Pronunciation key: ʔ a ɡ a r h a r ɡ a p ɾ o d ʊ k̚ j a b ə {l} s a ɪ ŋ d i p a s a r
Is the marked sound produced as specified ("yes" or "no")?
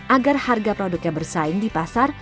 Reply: no